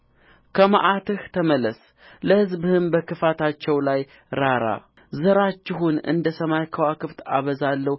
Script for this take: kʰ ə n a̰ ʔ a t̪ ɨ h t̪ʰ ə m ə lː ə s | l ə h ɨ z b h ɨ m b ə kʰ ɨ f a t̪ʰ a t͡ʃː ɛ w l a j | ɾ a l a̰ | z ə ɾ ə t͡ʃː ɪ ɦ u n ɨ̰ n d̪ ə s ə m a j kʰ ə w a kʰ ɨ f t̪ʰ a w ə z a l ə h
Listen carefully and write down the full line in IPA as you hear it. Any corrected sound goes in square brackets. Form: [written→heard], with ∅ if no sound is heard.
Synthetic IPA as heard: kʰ ə [n→m] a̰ ʔ a t̪ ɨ h t̪ʰ ə m ə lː ə s | l ə h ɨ z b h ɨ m b ə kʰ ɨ f a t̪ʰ a t͡ʃː ɛ w l a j | ɾ a [l→ɾ] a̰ | z ə ɾ [ə→a] t͡ʃː ɪ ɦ u n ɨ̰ n d̪ ə s ə m a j kʰ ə w a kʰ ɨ f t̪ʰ a [w→β] ə z a [l→lː] ə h